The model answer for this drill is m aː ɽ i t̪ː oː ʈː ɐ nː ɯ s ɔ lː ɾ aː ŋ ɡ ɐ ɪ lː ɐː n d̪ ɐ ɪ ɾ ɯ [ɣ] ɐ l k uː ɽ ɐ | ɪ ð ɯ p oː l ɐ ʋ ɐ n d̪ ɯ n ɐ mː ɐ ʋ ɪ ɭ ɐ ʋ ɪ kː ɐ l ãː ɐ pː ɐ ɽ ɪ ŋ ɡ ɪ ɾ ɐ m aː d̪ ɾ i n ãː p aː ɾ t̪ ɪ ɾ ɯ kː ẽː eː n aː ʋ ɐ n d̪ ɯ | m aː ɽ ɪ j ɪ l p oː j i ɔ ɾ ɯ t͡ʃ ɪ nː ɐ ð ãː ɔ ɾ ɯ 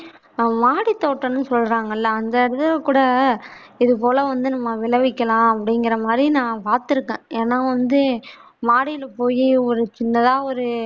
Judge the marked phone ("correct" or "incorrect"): incorrect